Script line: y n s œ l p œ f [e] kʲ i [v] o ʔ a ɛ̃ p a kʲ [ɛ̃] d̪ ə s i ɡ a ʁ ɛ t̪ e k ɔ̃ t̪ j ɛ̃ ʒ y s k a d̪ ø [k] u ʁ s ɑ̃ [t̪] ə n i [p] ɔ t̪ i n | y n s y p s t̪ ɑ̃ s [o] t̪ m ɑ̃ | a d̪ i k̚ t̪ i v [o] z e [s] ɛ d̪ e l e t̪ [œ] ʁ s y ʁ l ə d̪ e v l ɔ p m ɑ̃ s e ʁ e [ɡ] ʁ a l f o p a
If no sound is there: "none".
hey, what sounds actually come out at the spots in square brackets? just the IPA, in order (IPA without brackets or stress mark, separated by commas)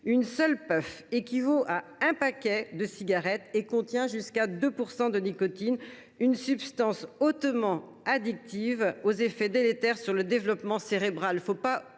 e, v, ɛ, p, d̪, k, o, o, f, ɛ, b